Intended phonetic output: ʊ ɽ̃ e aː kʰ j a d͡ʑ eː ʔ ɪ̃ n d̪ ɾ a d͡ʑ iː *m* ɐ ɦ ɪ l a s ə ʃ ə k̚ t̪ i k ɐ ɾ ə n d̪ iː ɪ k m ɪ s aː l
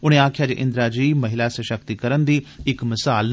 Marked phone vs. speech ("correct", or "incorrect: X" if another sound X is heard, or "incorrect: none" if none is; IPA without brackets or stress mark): correct